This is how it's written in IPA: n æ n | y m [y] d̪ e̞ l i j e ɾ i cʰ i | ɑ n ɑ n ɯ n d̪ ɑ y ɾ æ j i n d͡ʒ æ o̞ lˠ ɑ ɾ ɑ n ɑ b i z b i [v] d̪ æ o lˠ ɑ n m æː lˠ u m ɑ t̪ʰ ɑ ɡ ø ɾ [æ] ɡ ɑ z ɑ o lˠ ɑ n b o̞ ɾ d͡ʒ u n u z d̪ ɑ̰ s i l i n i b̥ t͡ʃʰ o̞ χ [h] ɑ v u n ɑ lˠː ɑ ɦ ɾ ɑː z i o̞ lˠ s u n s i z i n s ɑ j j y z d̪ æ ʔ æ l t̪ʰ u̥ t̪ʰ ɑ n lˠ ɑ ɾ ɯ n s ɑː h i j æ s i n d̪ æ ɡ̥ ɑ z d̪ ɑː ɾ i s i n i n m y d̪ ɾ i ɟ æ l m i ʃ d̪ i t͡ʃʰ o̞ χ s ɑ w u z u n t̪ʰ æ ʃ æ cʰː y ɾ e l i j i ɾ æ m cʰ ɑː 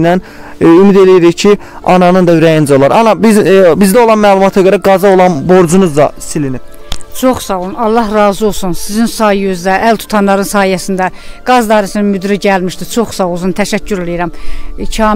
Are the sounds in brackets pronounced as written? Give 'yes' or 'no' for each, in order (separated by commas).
no, no, yes, no